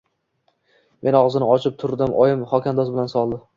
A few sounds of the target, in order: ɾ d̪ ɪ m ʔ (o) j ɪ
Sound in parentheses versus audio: incorrect: ɒ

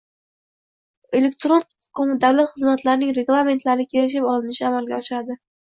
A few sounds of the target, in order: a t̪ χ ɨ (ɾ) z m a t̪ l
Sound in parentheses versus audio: incorrect: none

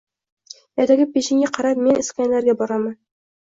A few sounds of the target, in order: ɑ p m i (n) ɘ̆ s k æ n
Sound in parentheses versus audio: correct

